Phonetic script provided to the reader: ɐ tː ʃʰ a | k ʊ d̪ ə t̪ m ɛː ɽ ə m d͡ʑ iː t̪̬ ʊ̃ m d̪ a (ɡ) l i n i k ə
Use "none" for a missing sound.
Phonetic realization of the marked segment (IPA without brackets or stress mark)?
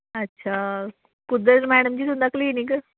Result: k